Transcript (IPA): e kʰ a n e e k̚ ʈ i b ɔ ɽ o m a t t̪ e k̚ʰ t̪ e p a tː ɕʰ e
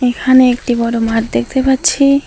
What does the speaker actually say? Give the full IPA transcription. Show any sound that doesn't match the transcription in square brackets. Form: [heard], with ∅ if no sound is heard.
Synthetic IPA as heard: e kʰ a n e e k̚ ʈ i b ɔ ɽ o m a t [d̪] e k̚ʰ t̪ e p a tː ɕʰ [i]